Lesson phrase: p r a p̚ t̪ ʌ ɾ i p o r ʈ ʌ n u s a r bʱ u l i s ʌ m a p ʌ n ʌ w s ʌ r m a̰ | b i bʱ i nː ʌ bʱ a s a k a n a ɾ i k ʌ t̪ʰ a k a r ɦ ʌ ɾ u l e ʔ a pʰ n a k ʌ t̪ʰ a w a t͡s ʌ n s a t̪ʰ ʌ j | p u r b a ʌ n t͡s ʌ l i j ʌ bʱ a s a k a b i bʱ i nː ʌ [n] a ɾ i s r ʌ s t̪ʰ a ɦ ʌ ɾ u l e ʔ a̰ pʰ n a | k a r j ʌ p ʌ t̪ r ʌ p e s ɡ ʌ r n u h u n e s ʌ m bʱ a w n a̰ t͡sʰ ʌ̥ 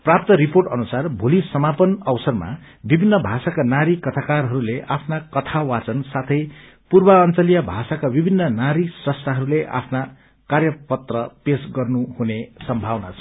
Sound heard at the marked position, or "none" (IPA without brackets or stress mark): n